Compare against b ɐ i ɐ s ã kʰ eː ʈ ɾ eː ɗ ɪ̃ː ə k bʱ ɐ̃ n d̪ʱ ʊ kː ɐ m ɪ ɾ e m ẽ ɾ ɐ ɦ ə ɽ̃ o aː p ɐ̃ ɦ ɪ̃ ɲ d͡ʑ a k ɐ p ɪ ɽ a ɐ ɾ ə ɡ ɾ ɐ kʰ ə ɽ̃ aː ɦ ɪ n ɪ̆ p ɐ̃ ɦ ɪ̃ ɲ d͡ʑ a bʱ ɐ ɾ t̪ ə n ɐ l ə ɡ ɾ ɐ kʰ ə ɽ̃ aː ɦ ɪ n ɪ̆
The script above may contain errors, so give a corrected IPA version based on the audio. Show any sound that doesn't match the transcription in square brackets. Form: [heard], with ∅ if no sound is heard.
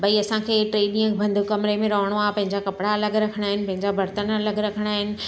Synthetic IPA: b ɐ i ɐ s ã kʰ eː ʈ ɾ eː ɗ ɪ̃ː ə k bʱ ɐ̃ n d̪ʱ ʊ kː ɐ m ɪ ɾ e m ẽ ɾ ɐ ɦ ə ɽ̃ o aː p ɐ̃ ɦ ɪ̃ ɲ d͡ʑ a k ɐ p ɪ ɽ a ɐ [l] ə ɡ ɾ ɐ kʰ ə ɽ̃ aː ɦ ɪ n ɪ̆ p ɐ̃ ɦ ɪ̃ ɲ d͡ʑ a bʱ ɐ ɾ t̪ ə n ɐ l ə ɡ ɾ ɐ kʰ ə ɽ̃ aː ɦ ɪ n ɪ̆